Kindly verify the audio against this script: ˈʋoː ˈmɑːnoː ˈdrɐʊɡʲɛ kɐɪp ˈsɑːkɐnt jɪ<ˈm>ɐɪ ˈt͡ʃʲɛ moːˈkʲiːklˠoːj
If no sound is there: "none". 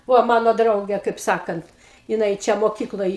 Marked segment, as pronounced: n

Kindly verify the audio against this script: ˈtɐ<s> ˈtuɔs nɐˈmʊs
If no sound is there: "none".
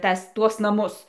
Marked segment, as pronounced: s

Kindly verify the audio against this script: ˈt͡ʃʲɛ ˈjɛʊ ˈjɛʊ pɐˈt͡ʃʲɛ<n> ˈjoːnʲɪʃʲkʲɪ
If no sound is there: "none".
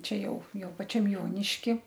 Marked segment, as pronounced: m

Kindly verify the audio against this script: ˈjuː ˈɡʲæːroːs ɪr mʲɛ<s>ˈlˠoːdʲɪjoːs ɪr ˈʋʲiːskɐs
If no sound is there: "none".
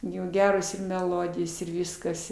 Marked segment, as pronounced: none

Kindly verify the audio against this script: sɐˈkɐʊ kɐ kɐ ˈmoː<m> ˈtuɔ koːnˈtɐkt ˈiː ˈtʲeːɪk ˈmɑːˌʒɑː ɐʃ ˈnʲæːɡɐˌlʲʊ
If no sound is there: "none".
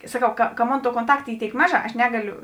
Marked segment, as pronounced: n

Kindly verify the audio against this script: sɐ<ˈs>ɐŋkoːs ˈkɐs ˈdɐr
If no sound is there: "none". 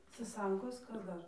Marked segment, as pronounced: s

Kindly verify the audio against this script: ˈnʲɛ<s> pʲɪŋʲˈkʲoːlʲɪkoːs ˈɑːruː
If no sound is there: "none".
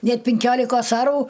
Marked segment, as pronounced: t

